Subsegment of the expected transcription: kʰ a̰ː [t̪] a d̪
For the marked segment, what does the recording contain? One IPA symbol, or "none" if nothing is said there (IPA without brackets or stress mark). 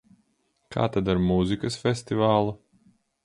t̪